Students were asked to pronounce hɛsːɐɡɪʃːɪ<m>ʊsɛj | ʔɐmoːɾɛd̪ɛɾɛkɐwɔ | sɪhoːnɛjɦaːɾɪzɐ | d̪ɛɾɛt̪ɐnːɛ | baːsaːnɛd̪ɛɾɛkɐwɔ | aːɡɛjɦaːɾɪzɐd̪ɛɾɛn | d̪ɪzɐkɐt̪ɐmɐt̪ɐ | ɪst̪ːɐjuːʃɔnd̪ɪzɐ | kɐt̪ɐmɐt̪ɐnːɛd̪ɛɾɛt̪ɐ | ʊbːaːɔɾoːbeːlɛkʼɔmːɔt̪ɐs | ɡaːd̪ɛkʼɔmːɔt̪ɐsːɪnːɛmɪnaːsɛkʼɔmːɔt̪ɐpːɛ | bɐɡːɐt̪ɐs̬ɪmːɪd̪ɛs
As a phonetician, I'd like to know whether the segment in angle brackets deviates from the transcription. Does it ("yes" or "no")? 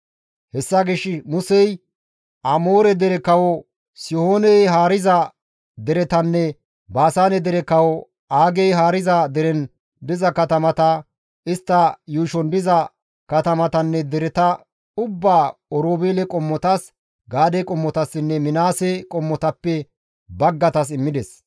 no